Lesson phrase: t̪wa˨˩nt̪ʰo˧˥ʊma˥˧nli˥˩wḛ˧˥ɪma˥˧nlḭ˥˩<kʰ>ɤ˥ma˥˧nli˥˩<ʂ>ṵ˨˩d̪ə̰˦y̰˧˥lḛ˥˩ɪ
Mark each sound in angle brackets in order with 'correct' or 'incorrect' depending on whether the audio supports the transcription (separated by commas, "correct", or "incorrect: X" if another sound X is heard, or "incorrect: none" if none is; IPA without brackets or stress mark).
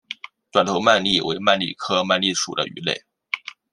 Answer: correct, correct